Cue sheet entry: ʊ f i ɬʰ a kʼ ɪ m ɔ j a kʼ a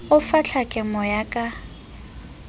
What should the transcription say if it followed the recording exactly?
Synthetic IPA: ʊ f a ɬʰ a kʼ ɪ m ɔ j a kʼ a